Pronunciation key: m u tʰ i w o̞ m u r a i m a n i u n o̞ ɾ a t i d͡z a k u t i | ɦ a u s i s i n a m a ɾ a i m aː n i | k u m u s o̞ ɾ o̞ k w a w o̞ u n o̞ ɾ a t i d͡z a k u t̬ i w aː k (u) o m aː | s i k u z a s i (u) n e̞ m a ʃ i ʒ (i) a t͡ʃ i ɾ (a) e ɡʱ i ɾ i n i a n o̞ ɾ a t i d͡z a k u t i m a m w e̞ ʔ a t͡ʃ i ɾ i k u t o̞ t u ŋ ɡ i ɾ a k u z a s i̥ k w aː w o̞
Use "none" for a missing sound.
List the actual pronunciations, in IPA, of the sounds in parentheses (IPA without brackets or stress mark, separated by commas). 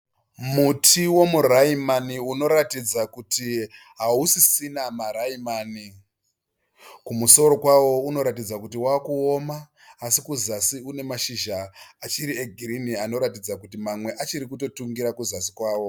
u, u, a, i